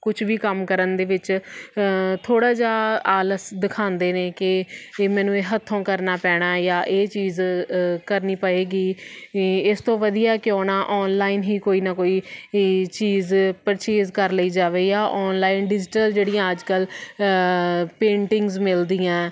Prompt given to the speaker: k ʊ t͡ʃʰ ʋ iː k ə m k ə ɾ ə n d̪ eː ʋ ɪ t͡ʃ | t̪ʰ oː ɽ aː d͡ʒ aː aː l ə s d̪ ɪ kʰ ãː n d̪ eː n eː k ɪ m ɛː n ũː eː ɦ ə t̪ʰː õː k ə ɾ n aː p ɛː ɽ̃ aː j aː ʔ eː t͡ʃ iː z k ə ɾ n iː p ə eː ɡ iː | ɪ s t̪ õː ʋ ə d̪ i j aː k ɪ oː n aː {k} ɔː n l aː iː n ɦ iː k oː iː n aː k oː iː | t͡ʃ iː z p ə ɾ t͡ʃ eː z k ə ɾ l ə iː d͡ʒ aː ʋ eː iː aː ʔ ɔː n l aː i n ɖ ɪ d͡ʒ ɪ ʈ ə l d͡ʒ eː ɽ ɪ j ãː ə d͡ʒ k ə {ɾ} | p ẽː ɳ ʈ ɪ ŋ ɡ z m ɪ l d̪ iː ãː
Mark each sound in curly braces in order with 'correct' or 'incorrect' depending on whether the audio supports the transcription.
incorrect, incorrect

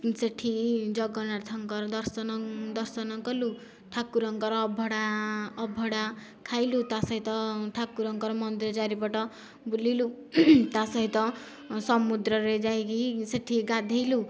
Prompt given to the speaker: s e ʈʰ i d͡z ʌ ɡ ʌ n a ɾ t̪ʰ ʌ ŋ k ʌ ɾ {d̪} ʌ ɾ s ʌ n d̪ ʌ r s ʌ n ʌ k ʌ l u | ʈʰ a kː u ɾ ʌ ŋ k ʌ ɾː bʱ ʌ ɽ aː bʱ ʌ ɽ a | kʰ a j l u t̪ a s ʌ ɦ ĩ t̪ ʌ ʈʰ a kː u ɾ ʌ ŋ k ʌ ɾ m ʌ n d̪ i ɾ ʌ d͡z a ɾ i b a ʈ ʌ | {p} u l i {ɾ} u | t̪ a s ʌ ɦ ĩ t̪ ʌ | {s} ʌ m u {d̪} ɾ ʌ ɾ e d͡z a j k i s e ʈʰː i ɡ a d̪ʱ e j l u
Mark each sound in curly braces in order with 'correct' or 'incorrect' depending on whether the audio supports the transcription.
correct, incorrect, incorrect, correct, correct

